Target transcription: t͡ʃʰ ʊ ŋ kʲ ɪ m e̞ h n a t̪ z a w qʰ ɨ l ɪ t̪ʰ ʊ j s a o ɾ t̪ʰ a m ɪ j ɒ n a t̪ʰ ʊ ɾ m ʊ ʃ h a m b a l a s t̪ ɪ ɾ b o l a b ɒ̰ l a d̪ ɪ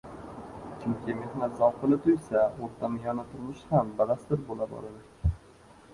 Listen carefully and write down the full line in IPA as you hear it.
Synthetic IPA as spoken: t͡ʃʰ ʊ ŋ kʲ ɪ m e̞ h n a t̪ z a w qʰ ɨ l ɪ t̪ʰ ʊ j s a o ɾ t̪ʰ a m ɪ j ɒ n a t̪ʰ ʊ ɾ m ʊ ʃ h a m b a l a s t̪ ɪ ɾ b o l a b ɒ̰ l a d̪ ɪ